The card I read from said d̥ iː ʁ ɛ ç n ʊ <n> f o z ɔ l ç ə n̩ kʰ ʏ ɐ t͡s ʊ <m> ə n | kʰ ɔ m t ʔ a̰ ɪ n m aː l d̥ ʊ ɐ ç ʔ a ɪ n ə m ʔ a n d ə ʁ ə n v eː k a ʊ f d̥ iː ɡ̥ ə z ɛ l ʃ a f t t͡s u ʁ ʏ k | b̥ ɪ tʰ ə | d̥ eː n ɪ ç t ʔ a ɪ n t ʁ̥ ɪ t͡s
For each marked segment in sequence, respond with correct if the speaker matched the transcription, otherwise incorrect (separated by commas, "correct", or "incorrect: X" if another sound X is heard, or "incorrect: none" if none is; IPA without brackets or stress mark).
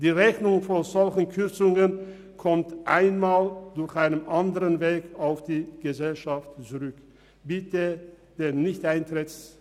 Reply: incorrect: ŋ, incorrect: ŋ